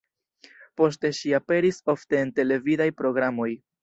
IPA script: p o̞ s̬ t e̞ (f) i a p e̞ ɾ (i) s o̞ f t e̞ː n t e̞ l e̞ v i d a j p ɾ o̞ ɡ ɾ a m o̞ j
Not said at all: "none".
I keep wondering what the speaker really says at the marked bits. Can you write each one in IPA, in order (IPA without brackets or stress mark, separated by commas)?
ʃ, i